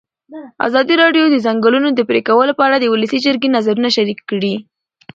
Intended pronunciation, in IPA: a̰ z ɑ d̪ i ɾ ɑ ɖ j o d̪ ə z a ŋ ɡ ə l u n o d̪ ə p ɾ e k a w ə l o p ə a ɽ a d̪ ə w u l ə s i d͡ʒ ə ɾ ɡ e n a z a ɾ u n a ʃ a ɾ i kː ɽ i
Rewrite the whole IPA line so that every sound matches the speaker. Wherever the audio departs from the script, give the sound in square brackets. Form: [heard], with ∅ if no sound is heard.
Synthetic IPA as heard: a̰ z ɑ d̪ i ɾ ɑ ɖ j o d̪ ə z a ŋ ɡ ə l u n o d̪ ə p ɾ e k a w ə l o p ə a ɽ a d̪ ə w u l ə s i d͡ʒ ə ɾ ɡ e n a z a ɾ u n a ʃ a ɾ i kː ɽ i